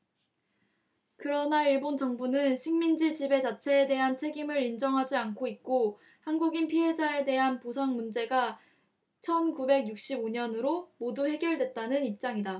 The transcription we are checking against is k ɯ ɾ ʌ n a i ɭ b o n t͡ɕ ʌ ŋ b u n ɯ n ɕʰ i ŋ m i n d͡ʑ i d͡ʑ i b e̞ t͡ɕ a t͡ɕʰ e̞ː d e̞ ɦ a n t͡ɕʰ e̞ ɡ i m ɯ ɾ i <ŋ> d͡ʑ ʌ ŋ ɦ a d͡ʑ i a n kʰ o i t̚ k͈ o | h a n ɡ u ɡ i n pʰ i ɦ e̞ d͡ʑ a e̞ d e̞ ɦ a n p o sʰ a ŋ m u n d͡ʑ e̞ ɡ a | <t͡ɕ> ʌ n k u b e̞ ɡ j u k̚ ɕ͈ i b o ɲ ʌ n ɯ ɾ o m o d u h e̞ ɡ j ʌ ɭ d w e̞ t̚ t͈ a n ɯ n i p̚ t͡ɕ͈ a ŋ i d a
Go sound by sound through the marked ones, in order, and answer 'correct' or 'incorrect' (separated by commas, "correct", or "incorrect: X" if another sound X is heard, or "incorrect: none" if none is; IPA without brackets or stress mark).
incorrect: n, incorrect: t͡ɕʰ